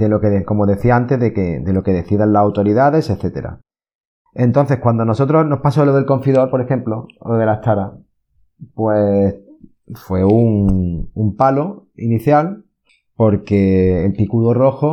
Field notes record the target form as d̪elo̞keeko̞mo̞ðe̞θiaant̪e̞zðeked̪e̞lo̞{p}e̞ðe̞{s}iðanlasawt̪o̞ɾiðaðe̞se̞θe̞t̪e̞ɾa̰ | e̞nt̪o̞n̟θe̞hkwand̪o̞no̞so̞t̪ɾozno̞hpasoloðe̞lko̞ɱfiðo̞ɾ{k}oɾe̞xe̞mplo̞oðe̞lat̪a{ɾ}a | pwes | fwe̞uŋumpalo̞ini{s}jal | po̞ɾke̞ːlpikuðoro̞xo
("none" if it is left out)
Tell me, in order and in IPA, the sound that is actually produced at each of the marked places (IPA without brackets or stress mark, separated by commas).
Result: k, θ, p, ɾ, θ